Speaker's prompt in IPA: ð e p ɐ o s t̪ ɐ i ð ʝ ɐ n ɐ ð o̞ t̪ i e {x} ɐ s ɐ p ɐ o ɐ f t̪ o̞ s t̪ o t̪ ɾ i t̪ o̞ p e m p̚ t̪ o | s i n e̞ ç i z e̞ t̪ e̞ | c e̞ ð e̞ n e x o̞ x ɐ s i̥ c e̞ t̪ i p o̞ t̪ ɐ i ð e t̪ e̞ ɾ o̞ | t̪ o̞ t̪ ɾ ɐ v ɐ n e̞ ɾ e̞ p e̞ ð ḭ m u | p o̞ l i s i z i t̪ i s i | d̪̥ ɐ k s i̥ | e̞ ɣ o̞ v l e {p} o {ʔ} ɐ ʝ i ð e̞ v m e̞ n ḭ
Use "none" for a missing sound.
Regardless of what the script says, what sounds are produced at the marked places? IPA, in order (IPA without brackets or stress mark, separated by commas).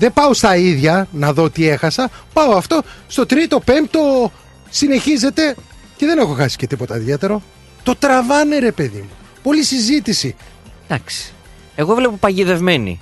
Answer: x, p, p